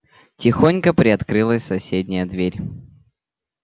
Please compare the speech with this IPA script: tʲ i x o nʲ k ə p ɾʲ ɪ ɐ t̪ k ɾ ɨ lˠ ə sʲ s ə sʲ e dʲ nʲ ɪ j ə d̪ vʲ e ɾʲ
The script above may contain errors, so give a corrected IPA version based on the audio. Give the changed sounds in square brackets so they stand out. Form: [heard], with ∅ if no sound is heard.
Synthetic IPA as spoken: tʲ [ɪ] x o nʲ k ə p ɾʲ ɪ ɐ t̪ k ɾ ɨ lˠ ə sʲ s [ɐ] sʲ e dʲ nʲ ɪ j ə d̪ vʲ e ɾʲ